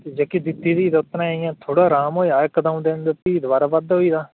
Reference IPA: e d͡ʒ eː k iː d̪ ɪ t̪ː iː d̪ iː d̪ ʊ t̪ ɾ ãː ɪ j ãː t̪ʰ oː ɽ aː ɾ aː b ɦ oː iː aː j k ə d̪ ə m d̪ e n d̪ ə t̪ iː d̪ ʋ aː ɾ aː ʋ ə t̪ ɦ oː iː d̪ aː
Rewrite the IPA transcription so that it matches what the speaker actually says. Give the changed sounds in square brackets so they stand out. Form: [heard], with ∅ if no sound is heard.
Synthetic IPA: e d͡ʒ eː k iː d̪ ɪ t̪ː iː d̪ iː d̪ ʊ t̪ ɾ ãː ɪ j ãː t̪ʰ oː ɽ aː ɾ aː [m] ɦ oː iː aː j k ə d̪ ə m d̪ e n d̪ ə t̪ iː d̪ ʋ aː ɾ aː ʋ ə [d̪] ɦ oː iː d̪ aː